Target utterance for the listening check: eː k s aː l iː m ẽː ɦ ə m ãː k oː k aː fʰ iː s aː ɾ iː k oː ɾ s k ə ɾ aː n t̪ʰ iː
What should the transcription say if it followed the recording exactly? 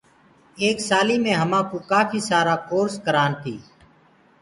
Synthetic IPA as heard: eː k s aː l iː m ẽː ɦ ə m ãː k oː k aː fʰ iː s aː ɾ aː k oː ɾ s k ə ɾ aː n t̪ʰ iː